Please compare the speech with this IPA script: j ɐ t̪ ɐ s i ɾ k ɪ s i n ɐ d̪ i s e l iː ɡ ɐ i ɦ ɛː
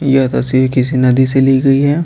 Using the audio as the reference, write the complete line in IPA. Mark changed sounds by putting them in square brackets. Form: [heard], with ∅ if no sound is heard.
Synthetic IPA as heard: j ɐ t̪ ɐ s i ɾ k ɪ s i n ɐ d̪ i s e l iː ɡ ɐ i ɦ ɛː